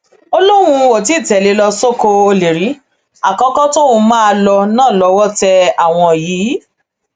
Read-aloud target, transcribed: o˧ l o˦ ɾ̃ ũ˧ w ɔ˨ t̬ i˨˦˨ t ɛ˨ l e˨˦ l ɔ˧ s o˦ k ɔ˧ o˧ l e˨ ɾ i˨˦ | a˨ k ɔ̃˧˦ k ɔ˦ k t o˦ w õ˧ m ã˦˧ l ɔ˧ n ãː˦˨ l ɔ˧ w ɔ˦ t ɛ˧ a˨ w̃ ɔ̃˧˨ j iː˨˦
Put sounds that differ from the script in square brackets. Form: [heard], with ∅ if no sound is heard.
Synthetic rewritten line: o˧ l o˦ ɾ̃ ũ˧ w [o˨] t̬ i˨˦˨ t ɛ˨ l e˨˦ l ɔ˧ s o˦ k [o˧] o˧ l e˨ ɾ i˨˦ | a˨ k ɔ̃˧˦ k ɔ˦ [∅] t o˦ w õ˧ m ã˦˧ l ɔ˧ n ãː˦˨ l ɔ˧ w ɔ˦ t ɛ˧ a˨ w̃ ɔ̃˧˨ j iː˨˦